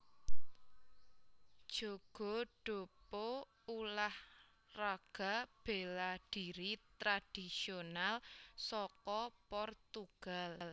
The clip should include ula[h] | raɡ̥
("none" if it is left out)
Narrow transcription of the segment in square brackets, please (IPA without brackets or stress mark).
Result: h